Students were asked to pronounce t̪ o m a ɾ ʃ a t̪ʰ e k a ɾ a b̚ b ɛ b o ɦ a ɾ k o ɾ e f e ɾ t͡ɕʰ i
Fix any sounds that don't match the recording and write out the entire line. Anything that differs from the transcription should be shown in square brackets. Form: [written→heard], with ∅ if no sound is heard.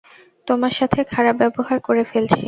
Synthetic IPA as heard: t̪ o m a ɾ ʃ a t̪ʰ e [k→kʰ] a ɾ a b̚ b ɛ b o ɦ a ɾ k o ɾ e f e [ɾ→l] t͡ɕʰ i